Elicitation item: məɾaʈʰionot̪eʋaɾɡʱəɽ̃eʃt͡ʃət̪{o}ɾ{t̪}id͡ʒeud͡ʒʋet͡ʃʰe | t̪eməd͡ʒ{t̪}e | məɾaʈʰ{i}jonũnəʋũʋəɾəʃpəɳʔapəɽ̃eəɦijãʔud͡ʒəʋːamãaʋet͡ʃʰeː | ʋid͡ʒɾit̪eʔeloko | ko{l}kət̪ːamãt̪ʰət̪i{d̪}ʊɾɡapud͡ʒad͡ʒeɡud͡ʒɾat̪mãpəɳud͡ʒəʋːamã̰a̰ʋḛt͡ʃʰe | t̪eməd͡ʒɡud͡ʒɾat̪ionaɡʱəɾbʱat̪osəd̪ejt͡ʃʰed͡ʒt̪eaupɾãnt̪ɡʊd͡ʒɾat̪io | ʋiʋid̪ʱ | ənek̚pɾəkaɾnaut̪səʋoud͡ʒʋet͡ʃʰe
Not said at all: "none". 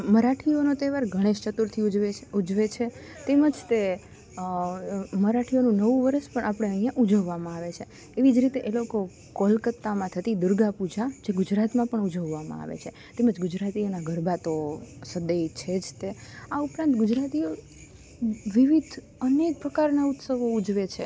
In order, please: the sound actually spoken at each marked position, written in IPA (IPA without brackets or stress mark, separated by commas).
u, t̪ʰ, t̪, i, l, d̪